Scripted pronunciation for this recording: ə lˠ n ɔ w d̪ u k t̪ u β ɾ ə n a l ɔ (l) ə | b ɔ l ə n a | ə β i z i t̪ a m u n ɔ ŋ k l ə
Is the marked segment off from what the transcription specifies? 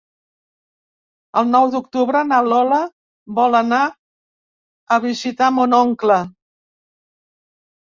no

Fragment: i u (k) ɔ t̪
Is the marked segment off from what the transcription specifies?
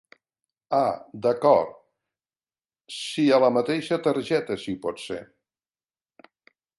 yes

